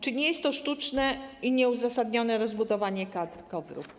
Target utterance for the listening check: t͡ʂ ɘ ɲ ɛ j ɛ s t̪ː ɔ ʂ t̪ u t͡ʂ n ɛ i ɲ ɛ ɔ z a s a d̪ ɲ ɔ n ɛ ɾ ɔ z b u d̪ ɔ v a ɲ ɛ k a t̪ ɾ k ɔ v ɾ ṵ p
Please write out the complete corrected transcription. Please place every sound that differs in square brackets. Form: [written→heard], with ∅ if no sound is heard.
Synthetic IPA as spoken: t͡ʂ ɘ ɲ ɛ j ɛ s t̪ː ɔ ʂ t̪ u t͡ʂ n ɛ i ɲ ɛ [ɔ→u] z a s a d̪ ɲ ɔ n ɛ ɾ ɔ z b u d̪ ɔ v a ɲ ɛ k a [t̪→d̪] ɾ k ɔ v ɾ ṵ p